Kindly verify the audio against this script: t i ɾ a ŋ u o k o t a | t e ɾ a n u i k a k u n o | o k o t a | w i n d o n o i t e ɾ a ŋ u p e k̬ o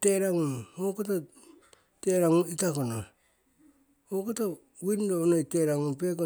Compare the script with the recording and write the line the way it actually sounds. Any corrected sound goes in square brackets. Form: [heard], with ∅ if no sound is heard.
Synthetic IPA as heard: t [e] ɾ a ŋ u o k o t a | t e ɾ a [ŋ] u i [t] a k [o] n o | o k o t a | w i n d o n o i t e ɾ a ŋ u p e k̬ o